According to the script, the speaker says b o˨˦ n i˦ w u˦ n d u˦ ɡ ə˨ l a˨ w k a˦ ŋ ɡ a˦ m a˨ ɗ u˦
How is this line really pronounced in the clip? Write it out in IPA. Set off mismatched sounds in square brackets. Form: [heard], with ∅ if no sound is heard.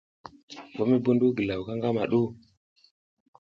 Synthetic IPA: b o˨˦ [m] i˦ [b] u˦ n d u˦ ɡ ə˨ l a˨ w k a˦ ŋ ɡ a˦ m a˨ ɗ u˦